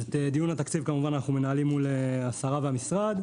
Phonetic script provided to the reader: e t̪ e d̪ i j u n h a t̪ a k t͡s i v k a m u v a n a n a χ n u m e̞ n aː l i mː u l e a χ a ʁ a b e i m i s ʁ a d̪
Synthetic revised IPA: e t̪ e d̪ i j u n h a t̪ a k t͡s i v k a m u v a n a n a χ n u m e̞ n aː l i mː u l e a s a ʁ a v e a m i s ʁ a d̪